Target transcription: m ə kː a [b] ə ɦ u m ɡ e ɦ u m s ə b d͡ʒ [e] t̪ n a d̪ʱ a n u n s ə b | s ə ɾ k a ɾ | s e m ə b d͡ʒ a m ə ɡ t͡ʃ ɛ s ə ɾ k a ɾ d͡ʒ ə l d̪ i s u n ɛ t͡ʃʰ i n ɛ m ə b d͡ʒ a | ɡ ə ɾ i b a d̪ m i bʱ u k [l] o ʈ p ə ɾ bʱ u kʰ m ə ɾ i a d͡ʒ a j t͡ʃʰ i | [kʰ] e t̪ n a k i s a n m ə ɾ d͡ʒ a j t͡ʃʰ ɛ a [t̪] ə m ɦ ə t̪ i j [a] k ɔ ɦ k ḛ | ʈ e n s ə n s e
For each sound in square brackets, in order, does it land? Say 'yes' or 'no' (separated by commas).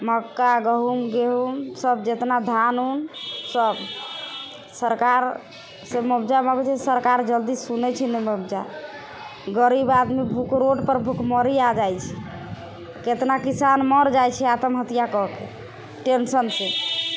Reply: no, yes, no, no, yes, yes